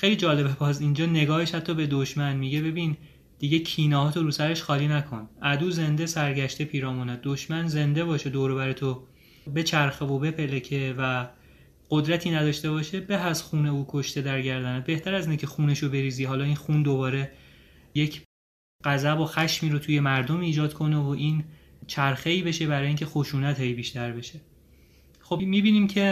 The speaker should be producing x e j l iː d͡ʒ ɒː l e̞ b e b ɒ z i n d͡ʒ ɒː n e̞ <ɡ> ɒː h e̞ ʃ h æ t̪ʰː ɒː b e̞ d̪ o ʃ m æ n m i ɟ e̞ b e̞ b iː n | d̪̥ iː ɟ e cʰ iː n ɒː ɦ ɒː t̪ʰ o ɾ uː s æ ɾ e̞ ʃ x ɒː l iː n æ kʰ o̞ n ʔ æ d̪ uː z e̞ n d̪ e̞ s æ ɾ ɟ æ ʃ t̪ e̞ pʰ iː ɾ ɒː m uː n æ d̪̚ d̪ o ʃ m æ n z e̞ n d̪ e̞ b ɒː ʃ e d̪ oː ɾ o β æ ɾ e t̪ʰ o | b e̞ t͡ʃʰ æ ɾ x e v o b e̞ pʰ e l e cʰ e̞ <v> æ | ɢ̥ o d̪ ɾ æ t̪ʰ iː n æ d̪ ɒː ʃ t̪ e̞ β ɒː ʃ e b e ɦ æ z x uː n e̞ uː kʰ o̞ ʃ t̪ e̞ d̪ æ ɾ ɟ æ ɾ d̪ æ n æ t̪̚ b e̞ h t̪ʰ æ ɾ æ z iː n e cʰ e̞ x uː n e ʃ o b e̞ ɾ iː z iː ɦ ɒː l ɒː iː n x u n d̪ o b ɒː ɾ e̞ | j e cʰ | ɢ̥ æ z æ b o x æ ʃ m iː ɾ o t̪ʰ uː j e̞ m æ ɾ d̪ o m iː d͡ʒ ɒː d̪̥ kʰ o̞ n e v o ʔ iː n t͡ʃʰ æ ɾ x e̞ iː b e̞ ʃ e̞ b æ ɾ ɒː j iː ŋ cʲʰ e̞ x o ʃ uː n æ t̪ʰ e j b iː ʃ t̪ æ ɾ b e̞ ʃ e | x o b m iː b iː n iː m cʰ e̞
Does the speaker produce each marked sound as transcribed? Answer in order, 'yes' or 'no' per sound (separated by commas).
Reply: yes, yes